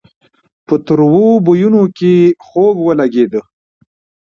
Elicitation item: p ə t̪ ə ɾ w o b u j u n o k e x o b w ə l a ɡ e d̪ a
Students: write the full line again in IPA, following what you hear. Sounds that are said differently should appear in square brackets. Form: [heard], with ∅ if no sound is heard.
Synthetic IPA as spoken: p ə t̪ ə ɾ w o b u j u n o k e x o [ɡ] w ə l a ɡ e d̪ [ə]